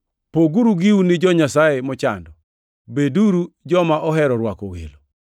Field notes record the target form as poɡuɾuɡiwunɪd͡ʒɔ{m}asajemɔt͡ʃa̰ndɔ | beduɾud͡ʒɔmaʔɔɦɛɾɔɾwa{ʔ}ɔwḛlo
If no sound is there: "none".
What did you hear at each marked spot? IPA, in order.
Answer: ɲ, k

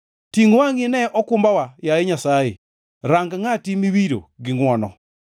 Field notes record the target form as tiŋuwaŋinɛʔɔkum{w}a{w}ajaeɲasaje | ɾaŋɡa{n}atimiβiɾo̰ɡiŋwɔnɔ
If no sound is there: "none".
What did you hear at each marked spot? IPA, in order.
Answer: b, w, ŋ

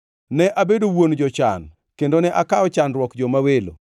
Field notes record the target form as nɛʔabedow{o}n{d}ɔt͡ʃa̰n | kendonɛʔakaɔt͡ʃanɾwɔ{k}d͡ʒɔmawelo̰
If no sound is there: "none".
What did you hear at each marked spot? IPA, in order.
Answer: o, d͡ʒ, k

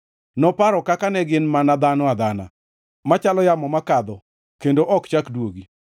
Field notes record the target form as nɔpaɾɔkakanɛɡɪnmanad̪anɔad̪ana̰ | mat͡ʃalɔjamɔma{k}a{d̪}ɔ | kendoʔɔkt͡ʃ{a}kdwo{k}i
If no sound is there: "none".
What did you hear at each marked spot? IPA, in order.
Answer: k, d̪, a, ɡ

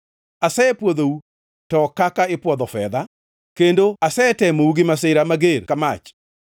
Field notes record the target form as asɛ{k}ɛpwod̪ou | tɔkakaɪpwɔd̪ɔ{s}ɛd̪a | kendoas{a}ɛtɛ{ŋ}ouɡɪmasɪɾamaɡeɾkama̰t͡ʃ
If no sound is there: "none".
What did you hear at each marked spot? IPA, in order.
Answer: none, f, ɛ, m

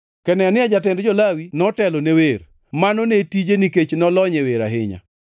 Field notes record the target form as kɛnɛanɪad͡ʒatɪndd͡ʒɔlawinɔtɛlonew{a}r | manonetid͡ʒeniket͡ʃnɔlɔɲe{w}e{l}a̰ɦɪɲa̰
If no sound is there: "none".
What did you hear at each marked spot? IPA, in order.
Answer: e, w, ɾ

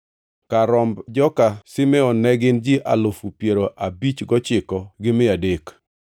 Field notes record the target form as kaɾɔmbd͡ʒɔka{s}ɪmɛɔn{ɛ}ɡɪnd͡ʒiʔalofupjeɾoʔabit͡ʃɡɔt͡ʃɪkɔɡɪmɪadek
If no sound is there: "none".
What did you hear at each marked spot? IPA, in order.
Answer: s, ɛ

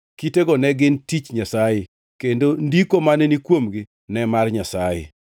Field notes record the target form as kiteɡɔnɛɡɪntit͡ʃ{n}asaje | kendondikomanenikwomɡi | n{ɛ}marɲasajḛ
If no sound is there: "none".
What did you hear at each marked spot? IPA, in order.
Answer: ɲ, ɛ

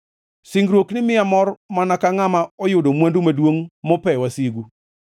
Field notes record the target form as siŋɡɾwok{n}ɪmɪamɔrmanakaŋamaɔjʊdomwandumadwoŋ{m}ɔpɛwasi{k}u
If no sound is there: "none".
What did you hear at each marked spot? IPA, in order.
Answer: n, m, ɡ

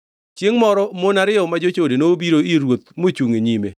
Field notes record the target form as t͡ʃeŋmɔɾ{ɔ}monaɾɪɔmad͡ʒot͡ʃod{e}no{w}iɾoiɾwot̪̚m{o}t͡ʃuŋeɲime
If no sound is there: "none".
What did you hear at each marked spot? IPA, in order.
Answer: ɔ, e, b, o

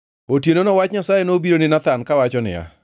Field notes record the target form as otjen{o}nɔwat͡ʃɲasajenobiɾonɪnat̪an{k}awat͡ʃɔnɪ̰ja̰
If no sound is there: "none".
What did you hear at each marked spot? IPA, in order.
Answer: o, k

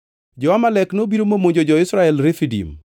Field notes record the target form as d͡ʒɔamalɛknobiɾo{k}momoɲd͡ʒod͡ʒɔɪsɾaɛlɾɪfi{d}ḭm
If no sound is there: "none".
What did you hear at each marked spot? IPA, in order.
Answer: none, d

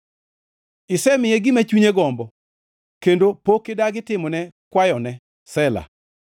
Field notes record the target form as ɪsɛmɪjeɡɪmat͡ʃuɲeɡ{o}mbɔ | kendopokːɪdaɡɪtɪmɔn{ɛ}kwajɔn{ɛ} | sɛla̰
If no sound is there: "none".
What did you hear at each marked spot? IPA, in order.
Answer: ɔ, ɛ, ɛ

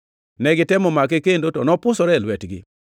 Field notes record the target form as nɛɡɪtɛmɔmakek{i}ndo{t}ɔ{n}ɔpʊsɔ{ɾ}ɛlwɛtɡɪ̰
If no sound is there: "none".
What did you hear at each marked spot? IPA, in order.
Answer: e, t, n, ɾ

